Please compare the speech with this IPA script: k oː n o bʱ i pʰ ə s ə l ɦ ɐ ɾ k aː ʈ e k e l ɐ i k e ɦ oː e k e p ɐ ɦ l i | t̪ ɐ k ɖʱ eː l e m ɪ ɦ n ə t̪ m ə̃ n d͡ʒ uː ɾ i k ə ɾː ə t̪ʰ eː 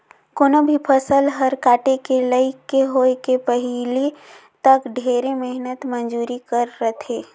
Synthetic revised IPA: k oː n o bʱ i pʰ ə s ə l ɦ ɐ ɾ k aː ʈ e k e l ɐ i k e ɦ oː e k e p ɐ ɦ l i | t̪ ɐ k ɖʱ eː ɾ e m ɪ ɦ n ə t̪ m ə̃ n d͡ʒ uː ɾ i k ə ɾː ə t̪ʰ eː